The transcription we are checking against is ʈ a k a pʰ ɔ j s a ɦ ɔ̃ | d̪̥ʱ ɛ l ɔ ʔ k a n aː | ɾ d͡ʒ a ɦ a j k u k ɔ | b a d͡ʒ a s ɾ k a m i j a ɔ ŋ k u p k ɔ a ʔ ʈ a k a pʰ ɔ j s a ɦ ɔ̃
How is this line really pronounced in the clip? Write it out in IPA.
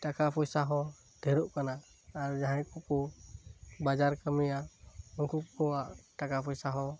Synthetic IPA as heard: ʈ a k a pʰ ɔ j s a ɦ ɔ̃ | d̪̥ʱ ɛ ɾ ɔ ʔ k a n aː | ɾ d͡ʒ a ɦ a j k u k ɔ | b a d͡ʒ a ɾ k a m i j a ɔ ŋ k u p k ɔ a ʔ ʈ a k a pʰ ɔ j s a ɦ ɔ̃